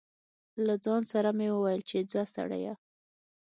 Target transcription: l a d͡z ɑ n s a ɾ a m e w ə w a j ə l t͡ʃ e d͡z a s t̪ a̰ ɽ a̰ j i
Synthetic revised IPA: l a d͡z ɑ n s a ɾ a m e w ə w a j ə l t͡ʃ e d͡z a s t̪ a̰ ɽ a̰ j a